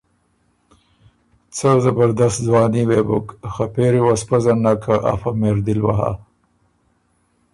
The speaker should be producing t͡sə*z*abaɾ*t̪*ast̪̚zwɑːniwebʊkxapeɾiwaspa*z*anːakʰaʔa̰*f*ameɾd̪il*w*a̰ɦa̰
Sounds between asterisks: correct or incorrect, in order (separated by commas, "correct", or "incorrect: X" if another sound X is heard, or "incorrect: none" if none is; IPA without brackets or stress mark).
correct, incorrect: d̪, correct, correct, correct